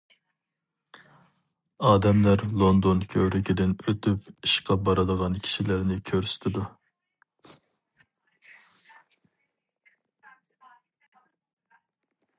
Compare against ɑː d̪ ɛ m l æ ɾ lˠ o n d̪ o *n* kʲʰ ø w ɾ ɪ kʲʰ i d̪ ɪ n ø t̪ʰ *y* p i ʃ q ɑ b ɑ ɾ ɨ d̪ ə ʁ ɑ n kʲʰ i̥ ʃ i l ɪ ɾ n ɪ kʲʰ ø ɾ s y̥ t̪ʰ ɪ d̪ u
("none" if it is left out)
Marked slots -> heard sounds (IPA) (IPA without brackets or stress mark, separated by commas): n, y